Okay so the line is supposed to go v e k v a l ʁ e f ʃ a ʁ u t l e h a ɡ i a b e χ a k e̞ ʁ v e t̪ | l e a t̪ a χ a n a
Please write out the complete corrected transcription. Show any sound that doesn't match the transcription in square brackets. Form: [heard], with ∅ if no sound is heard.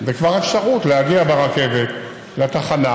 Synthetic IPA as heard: [z] e k v a [∅] ʁ e f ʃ a ʁ u t l e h a ɡ i a b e [ʁ] a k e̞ [∅] v e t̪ | l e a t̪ a χ a n a

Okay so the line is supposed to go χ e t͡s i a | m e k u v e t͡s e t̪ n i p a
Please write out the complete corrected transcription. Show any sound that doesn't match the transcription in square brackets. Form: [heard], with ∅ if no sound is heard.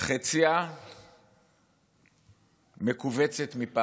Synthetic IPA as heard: χ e t͡s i a | m e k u v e t͡s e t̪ [m] i p a

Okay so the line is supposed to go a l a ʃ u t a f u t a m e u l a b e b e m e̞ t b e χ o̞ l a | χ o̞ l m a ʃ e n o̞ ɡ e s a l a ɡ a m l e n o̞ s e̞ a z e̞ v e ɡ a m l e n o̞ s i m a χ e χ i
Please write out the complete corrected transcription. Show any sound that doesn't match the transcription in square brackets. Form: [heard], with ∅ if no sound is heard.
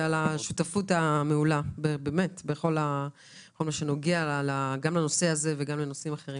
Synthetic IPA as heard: a l a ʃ u t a f u t a m e u l a b e b e m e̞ t b e χ o̞ l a | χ o̞ l m a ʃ e n o̞ ɡ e [∅] a l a ɡ a m l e n o̞ s e̞ a z e̞ v e ɡ a m l e n o̞ s i m a χ e [ʁ] i

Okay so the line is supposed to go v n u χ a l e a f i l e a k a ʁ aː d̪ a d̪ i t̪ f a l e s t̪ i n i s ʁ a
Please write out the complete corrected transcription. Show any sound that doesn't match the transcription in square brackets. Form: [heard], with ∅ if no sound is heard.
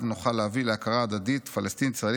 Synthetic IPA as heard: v n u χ a l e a [v] i l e a k a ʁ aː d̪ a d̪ i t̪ f a l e s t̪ i n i s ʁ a

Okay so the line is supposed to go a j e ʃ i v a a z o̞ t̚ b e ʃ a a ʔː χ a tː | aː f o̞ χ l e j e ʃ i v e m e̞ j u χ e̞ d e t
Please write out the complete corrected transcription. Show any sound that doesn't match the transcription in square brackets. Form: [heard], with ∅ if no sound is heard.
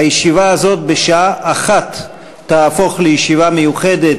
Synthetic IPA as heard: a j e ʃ i v a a z o̞ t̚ b e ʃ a a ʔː χ a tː | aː f o̞ χ l e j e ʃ i v [a] m e̞ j u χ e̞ d e t

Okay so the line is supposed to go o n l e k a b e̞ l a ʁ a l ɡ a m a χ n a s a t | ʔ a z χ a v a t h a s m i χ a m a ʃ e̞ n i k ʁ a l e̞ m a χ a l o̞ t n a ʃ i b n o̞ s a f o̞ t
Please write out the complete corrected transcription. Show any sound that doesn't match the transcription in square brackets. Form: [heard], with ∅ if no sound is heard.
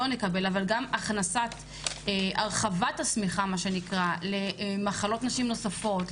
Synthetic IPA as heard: o n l e k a b e̞ l a [v] a l ɡ a m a χ n a s a t | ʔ a [ʁ] χ a v a t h a s m i χ a m a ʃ e̞ n i k ʁ a l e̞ m a χ a l o̞ t n a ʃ i [m] n o̞ s a f o̞ t

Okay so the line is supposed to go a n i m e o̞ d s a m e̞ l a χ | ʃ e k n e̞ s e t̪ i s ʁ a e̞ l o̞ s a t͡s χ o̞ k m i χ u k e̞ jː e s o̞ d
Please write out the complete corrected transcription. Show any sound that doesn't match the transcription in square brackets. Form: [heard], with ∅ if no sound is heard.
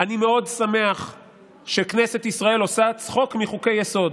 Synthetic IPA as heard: a n i m e o̞ d s a m e̞ [∅] a χ | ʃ e k n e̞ s e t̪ i s ʁ a e̞ l o̞ s a t͡s χ o̞ k m i χ u k e̞ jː e s o̞ d

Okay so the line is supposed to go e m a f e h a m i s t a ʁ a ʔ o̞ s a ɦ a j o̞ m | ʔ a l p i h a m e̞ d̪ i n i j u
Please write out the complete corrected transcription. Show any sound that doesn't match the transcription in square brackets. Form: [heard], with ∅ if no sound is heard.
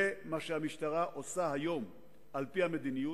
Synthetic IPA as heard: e m a [ʃ] e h a m i [ʃ] t a ʁ a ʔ o̞ s a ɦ a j o̞ m | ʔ a l p i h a m e̞ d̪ i n i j u

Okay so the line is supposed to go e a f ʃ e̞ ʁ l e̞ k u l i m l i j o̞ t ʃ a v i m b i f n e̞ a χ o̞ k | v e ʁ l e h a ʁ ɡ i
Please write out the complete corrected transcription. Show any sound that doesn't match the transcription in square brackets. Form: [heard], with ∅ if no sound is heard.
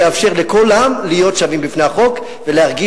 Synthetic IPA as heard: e a f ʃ e̞ ʁ l e̞ k [o] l [a] m l i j o̞ t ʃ a v i m b i f n e̞ a χ o̞ k | v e [∅] l e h a ʁ ɡ i

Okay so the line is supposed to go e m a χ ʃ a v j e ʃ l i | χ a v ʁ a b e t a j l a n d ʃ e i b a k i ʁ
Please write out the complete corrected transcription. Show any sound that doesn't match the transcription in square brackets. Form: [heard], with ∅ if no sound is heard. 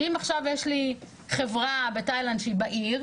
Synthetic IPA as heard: [i] m a χ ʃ a v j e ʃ l i | χ [e] v ʁ a b e t a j l a n d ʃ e i b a [ʔ] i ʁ

